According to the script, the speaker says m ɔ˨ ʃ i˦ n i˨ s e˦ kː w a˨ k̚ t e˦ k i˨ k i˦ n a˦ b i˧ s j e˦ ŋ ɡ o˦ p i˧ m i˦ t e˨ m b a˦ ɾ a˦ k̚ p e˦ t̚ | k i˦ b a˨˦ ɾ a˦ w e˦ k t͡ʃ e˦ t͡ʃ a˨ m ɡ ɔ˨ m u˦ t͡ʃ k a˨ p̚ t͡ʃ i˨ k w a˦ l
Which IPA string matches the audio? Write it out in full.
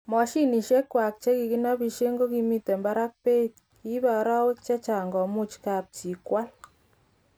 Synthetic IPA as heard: m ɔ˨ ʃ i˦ n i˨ ʃ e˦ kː w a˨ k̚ t͡ʃ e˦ k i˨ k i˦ n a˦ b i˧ ʃ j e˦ ŋ ɡ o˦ k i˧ m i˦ t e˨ m b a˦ ɾ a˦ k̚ p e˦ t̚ | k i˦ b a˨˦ ɾ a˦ w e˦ k t͡ʃ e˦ t͡ʃ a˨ ŋ ɡ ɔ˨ m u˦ t͡ʃ k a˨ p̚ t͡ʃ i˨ k w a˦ l